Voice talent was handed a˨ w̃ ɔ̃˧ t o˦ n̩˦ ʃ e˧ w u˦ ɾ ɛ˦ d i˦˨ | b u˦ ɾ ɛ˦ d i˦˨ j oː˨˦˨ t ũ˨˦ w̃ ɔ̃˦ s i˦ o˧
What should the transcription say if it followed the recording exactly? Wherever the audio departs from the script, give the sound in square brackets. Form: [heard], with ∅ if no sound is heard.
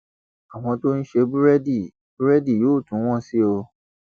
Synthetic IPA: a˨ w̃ ɔ̃˧ t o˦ n̩˦ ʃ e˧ [b] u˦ ɾ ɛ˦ d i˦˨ | b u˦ ɾ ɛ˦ d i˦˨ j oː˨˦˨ t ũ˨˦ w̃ ɔ̃˦ s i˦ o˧